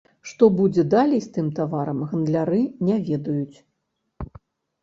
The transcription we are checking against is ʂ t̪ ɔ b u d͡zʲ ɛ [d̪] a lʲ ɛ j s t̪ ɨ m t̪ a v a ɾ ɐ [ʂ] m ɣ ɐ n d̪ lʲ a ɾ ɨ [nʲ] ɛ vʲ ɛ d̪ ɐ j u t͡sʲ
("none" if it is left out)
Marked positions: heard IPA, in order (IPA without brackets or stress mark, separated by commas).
d̪, none, nʲ